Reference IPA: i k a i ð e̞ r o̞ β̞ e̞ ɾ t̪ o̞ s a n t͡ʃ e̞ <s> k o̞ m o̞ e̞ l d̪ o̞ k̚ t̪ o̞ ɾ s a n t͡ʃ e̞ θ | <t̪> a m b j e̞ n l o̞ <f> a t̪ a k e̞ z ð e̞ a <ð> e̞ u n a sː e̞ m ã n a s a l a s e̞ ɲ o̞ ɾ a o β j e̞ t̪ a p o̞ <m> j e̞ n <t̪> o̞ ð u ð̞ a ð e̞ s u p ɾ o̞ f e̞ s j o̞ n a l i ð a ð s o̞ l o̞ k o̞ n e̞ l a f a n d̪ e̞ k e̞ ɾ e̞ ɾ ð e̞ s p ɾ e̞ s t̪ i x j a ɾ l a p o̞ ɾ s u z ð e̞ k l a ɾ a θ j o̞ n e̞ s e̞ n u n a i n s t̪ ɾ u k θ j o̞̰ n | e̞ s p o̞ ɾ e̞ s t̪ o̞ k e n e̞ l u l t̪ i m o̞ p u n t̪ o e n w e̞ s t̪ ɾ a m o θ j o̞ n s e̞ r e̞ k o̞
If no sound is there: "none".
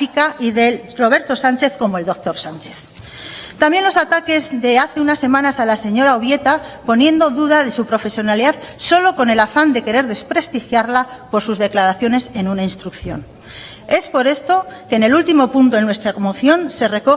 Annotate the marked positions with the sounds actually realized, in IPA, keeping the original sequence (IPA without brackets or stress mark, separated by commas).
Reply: θ, t̪, s, θ, n, d̪